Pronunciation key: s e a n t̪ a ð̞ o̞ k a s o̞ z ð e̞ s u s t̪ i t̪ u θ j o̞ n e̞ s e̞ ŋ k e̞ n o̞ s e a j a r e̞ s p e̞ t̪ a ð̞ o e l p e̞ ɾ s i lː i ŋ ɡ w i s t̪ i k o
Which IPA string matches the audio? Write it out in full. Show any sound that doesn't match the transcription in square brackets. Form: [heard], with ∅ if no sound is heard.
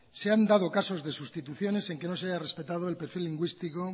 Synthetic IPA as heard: s e a n [d̪] a ð̞ o̞ k a s o̞ z ð e̞ s u s t̪ i t̪ u θ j o̞ n e̞ s e̞ ŋ k e̞ n o̞ s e a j a r e̞ s p e̞ t̪ a ð̞ o e l p e̞ ɾ [f] i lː i ŋ ɡ w i s t̪ i k o